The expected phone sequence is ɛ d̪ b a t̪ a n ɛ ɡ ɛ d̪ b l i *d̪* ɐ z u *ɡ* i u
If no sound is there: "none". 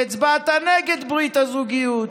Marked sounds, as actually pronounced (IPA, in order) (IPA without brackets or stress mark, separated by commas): t̪, ɡ